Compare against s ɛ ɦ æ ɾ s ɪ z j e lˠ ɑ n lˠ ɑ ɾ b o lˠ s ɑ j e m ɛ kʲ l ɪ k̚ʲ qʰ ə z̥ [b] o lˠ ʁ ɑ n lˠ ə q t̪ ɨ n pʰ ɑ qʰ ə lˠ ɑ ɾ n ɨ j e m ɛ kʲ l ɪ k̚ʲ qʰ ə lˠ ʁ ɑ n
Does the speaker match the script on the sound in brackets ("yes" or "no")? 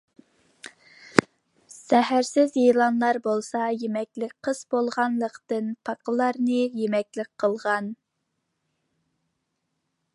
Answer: yes